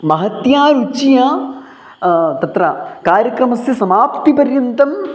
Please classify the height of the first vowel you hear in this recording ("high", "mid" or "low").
low